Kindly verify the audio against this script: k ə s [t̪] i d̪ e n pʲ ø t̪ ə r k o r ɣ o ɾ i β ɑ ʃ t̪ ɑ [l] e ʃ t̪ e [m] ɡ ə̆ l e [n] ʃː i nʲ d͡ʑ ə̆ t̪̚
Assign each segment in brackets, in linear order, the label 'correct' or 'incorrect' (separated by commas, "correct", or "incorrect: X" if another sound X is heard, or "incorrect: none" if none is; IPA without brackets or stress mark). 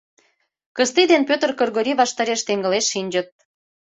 correct, incorrect: ɾ, incorrect: ŋ, incorrect: none